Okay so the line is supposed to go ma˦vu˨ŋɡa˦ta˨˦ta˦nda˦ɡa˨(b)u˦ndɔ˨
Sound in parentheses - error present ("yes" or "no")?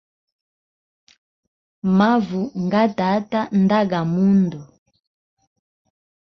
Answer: yes